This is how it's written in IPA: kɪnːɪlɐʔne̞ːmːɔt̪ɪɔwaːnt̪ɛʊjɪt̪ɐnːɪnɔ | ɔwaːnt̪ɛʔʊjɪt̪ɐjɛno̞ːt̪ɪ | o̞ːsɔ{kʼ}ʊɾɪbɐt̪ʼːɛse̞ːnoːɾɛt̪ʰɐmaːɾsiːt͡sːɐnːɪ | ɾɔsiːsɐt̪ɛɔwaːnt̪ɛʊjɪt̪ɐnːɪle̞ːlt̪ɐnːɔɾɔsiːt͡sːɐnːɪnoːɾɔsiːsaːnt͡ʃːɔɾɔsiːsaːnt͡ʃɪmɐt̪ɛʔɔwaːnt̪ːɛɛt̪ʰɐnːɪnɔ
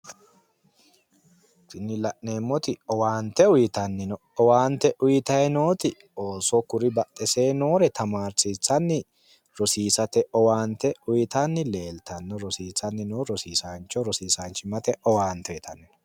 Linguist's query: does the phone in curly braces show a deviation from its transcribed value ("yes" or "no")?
yes